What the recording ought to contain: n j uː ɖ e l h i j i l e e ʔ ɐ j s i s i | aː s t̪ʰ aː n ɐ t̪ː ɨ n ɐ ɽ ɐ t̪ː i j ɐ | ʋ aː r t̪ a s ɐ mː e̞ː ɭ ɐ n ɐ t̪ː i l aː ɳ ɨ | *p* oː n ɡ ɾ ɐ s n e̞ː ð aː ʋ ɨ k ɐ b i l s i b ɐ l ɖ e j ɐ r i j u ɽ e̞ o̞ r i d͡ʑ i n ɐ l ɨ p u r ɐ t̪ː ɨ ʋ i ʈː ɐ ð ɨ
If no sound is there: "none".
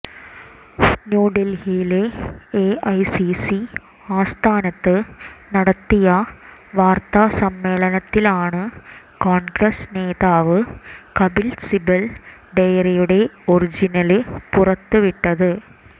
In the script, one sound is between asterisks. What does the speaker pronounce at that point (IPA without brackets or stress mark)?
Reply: k